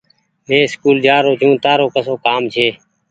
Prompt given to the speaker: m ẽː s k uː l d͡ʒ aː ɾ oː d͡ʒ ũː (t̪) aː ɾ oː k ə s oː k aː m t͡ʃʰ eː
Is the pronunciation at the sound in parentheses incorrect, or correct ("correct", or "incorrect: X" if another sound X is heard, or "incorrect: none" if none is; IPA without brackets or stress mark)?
correct